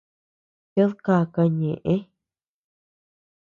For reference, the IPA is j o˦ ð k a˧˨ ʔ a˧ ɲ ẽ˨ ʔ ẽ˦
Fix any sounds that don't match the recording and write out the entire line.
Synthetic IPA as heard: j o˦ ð k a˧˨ k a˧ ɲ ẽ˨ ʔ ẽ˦